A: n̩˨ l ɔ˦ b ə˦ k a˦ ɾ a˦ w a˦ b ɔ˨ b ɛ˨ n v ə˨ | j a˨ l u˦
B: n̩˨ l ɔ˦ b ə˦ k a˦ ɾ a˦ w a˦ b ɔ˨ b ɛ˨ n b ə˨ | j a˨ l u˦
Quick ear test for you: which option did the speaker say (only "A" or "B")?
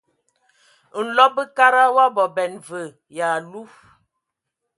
A